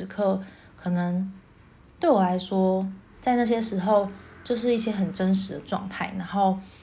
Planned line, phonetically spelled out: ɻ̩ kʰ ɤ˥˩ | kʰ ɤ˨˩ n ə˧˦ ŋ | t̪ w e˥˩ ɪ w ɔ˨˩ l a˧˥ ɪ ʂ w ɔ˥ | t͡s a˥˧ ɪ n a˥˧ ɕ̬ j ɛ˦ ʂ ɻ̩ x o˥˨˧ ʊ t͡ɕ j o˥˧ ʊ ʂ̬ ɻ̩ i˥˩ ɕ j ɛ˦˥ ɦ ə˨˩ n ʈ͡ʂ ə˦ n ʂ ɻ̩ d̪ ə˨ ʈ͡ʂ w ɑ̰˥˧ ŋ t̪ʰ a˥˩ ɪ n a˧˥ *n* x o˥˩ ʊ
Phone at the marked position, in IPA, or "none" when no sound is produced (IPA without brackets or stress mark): ŋ